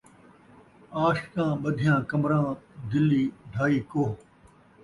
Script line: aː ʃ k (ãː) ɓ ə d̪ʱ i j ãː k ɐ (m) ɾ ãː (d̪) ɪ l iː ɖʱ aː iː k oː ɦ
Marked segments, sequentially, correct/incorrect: correct, correct, correct

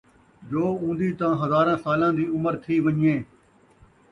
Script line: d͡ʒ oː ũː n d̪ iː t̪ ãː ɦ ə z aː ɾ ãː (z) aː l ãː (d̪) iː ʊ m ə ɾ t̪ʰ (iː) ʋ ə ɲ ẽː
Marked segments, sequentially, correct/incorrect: incorrect: s, correct, correct

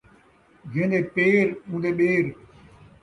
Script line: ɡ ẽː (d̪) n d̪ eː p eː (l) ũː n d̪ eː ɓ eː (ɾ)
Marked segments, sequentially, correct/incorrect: incorrect: none, incorrect: ɾ, correct

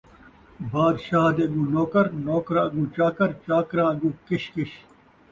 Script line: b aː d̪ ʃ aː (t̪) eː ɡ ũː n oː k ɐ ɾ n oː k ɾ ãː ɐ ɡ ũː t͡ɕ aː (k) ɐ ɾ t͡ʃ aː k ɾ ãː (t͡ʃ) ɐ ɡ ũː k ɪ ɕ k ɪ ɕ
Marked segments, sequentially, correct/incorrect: incorrect: d̪, correct, incorrect: none

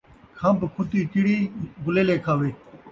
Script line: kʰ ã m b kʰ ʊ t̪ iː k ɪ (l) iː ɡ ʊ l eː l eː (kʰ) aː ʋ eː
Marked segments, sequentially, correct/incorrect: incorrect: ɽ, correct

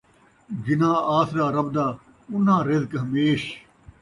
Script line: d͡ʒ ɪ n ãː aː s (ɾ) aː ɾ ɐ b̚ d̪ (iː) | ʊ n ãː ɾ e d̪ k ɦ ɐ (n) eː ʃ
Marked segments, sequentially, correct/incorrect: correct, incorrect: aː, incorrect: m

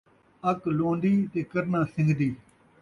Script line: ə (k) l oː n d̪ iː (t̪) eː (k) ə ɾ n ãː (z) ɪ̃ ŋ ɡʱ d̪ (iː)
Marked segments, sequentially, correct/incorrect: correct, correct, correct, incorrect: s, correct

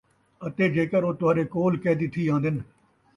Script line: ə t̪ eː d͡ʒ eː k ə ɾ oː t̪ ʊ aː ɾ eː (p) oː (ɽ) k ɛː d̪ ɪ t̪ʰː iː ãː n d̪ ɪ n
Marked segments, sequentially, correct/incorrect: incorrect: k, incorrect: l

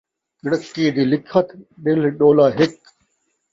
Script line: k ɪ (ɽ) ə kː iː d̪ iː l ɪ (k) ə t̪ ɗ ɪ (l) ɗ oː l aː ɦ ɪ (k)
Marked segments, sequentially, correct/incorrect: correct, incorrect: kʰ, correct, correct

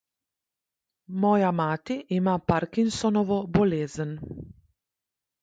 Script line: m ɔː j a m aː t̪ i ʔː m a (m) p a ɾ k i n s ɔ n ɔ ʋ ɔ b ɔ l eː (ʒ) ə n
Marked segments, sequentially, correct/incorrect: incorrect: none, incorrect: z

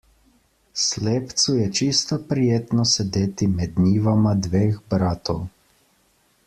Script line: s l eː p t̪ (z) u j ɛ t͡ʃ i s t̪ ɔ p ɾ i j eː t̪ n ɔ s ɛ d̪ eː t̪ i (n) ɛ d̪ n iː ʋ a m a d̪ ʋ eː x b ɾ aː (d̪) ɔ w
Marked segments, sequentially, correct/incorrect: incorrect: s, incorrect: m, incorrect: t̪

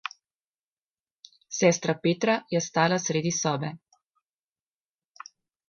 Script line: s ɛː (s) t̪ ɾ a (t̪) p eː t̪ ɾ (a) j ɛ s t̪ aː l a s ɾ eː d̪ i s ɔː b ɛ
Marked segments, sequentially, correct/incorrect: correct, incorrect: none, correct

